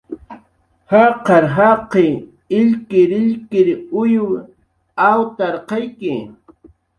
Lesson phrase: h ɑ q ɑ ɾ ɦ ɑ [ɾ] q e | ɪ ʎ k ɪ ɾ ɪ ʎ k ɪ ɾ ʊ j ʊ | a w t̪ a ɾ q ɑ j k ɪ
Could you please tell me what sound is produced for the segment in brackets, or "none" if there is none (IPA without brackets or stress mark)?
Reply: none